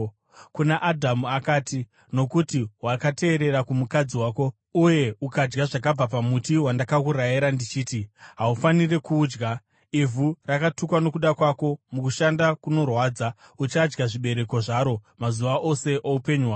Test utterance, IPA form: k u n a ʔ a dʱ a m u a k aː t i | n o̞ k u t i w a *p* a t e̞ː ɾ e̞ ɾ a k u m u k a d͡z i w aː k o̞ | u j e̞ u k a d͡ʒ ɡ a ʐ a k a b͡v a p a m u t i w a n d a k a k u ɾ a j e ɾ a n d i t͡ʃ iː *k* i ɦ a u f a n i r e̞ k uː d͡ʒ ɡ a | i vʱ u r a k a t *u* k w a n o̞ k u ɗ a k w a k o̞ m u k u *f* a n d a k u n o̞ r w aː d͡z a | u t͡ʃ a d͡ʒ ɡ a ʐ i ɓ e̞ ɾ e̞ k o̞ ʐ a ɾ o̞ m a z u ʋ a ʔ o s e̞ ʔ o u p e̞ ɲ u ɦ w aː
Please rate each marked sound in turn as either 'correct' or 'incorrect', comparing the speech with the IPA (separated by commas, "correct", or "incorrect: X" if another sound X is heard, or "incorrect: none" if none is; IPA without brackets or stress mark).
incorrect: k, incorrect: t, correct, incorrect: ʃ